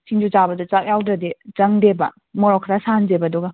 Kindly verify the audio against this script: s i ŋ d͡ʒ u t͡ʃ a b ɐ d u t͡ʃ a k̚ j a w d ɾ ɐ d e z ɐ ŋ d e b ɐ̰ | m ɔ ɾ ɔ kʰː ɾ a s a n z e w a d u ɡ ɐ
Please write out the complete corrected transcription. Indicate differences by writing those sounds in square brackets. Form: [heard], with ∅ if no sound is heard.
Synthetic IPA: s i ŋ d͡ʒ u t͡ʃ a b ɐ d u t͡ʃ a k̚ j a w d ɾ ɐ d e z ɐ ŋ d e b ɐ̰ | m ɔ ɾ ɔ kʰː ɾ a s a n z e [b] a d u ɡ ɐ